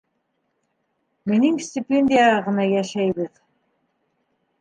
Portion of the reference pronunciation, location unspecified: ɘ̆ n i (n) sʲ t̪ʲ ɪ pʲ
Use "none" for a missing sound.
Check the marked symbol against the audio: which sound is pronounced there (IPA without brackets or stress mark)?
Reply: ŋ